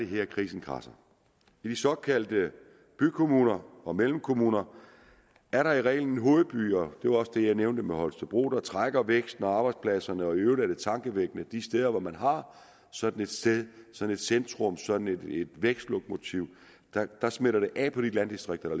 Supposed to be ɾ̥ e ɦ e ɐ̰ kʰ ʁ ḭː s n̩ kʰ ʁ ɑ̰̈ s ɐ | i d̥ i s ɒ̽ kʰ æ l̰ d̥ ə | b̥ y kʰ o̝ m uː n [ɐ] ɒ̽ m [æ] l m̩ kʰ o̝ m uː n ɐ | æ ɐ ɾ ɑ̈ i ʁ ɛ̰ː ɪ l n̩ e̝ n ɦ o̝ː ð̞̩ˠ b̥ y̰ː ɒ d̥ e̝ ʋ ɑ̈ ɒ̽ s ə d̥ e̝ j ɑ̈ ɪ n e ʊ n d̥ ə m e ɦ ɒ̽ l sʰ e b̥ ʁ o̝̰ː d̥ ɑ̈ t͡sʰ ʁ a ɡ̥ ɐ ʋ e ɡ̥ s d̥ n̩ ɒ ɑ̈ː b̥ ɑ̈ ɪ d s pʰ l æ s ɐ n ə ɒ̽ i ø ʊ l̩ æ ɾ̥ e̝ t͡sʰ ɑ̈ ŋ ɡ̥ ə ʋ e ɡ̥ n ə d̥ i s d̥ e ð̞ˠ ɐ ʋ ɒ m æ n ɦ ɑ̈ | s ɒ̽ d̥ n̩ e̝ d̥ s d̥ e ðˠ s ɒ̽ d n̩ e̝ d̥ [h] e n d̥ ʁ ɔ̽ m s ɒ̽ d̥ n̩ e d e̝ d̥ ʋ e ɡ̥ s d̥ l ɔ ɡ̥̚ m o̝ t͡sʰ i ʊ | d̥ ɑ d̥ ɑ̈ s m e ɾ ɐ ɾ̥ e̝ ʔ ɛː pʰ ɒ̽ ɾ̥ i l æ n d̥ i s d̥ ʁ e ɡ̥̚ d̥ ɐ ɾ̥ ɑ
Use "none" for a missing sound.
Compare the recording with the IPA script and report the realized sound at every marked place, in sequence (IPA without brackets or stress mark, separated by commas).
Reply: ɐ, e, s